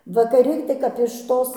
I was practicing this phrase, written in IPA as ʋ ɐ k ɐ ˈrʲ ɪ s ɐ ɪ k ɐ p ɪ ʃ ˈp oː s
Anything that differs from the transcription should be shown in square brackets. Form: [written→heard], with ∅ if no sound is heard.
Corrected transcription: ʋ ɐ k ɐ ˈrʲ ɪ [s→t] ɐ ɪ k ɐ p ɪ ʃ [ˈp→ˈt] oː s